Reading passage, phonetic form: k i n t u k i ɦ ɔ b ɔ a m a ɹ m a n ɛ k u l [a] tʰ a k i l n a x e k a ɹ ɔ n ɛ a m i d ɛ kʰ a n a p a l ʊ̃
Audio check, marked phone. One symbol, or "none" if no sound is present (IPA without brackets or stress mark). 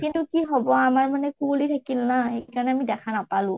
i